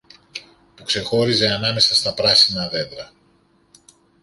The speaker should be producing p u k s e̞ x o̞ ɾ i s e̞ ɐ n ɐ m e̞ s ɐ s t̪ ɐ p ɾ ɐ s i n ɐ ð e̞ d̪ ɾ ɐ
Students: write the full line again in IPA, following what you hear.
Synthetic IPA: p u k s e̞ x o̞ ɾ i z e̞ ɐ n ɐ m e̞ s ɐ s t̪ ɐ p ɾ ɐ s i n ɐ ð e̞ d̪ ɾ ɐ